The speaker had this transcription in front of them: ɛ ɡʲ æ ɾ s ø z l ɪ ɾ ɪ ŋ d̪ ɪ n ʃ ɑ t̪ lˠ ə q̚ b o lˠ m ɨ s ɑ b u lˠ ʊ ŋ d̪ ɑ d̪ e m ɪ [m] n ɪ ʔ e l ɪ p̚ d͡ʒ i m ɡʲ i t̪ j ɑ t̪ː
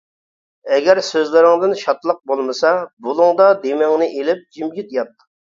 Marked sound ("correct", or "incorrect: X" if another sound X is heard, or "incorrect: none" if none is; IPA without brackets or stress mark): incorrect: ŋ